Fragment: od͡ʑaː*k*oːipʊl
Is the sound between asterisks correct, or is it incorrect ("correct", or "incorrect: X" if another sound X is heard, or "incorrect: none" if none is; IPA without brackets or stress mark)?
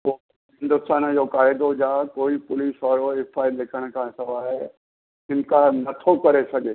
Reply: correct